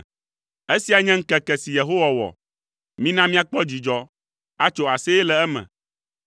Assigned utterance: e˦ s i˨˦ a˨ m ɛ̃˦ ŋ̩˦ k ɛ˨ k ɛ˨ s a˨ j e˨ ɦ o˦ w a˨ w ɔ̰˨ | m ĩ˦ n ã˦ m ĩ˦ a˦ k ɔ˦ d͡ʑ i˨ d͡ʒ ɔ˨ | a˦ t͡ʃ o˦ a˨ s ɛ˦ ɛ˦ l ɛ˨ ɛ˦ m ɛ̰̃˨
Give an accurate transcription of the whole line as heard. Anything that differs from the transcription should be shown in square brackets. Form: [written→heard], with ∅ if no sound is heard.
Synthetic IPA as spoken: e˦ s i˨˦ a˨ [m→ɲ] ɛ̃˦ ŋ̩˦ k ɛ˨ k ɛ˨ s [a˨→i˨] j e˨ ɦ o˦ w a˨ w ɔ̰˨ | m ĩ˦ n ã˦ m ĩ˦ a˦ [k→k͡p] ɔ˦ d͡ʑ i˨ d͡ʒ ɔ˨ | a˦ t͡ʃ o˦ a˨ s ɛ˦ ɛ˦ l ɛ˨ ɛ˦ m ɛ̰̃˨